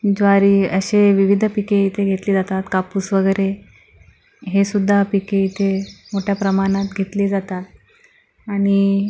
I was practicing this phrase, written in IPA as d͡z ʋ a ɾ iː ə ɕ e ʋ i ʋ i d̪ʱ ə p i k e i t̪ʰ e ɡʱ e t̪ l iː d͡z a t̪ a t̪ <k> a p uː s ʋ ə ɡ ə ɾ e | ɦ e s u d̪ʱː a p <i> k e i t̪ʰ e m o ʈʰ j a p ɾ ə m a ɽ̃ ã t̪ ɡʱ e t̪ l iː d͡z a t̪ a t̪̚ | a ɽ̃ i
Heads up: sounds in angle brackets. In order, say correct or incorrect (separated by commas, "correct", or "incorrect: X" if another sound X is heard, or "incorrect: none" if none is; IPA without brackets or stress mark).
correct, correct